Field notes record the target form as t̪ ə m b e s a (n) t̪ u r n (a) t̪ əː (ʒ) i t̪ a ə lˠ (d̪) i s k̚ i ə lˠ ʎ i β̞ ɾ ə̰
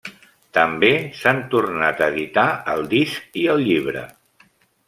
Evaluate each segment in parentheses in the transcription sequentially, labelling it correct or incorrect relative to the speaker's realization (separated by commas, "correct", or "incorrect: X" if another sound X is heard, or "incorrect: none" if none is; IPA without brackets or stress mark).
correct, correct, incorrect: ð, correct